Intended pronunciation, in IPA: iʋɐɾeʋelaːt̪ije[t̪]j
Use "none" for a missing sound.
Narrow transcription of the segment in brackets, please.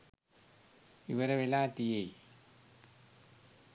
none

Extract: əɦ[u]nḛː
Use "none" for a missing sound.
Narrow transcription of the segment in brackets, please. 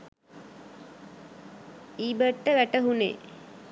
u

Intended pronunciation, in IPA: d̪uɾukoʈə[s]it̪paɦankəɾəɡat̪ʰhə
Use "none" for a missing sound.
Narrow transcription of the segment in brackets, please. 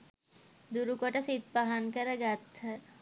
s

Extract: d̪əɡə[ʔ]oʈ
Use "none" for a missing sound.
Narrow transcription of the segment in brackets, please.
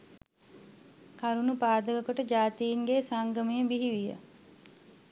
k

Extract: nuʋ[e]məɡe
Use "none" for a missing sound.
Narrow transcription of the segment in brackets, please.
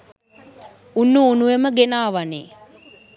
e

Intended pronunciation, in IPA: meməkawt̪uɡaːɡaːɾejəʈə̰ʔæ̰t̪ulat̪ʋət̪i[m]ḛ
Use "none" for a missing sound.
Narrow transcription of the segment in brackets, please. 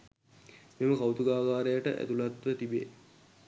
b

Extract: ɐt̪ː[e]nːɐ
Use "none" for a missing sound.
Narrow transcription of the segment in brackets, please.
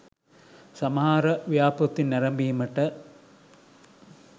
i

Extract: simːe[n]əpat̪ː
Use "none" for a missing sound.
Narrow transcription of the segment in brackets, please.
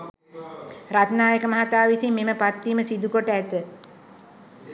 m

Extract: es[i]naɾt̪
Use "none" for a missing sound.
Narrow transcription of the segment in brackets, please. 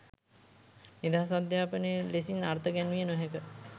i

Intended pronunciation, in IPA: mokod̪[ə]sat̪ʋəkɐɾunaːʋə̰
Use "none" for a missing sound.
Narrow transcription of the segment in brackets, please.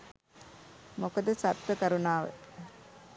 ə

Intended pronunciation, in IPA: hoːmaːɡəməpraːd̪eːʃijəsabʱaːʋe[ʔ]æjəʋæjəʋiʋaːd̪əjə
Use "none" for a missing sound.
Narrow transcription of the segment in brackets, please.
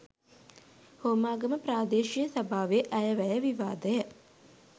ʔ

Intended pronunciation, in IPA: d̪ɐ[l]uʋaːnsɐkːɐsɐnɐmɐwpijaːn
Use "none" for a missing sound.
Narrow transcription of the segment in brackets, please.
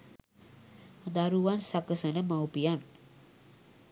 ɾ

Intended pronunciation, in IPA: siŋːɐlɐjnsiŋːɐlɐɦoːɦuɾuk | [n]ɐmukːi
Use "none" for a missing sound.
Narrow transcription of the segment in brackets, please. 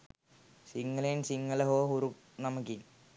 n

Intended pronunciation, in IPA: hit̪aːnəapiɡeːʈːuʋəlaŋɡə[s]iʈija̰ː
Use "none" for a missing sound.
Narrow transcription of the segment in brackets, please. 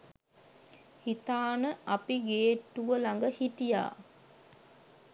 h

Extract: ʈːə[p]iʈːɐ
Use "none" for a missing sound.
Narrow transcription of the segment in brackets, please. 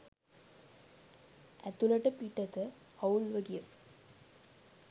p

